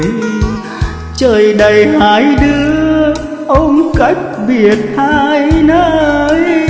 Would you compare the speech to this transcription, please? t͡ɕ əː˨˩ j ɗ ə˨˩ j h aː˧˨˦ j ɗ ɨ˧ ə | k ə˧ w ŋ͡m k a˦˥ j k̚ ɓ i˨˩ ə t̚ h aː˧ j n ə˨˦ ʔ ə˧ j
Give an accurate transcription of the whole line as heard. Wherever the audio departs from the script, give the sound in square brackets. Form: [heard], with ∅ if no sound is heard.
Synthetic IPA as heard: t͡ɕ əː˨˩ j ɗ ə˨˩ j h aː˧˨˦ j ɗ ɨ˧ ə | [ʔ] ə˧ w ŋ͡m k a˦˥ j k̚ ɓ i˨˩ ə t̚ h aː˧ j n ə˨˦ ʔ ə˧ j